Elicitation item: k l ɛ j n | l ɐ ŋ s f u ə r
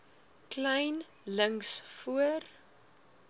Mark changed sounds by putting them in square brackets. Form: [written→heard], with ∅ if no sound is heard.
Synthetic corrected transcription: k l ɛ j n | l [ɐ→ə] ŋ s f u ə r